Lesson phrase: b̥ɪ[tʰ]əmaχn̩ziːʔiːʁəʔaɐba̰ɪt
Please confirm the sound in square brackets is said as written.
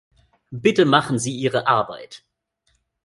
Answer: no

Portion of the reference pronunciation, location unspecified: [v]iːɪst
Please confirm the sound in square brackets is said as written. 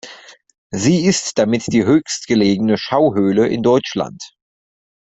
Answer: no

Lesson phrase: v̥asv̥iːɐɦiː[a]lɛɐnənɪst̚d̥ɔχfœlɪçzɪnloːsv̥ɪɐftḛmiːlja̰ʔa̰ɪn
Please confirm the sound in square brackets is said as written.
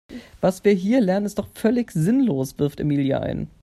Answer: no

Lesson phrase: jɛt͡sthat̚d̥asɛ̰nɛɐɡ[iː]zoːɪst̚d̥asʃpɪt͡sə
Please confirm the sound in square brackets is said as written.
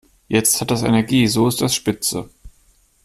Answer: yes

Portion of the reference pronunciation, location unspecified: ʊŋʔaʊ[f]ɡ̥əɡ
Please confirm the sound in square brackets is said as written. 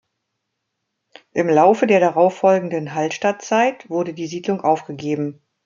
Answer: yes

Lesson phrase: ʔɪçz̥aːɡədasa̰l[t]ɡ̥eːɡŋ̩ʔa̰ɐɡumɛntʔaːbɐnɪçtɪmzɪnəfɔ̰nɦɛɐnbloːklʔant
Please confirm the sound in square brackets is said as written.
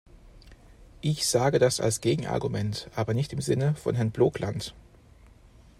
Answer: no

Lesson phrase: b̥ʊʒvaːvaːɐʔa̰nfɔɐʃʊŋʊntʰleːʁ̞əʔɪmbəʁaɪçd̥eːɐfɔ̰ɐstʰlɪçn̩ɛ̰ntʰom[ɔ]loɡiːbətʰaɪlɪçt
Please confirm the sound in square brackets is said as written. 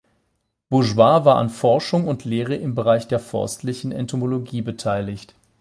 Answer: no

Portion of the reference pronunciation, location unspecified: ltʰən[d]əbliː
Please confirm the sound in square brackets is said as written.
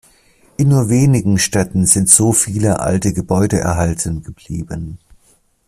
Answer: no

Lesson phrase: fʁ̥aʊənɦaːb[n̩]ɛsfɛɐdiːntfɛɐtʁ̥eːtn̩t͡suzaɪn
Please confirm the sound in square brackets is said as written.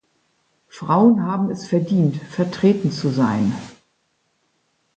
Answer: no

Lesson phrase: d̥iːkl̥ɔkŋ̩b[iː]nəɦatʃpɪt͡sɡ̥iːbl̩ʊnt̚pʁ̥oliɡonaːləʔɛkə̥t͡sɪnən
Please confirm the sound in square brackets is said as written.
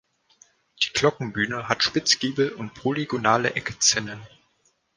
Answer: no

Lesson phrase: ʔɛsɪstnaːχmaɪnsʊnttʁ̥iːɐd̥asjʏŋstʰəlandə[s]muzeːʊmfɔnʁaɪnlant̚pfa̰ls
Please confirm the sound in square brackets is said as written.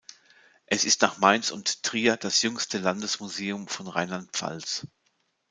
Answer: yes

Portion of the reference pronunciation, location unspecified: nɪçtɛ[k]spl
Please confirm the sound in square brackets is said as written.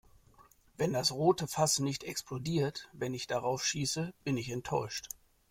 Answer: yes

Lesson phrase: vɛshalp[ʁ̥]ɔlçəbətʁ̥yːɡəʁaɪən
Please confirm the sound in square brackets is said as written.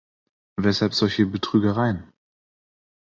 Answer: no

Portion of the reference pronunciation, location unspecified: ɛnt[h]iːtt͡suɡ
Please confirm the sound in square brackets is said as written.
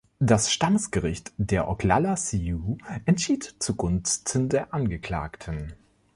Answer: no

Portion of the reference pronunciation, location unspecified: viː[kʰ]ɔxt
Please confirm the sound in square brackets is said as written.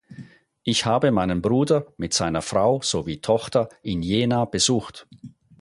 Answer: no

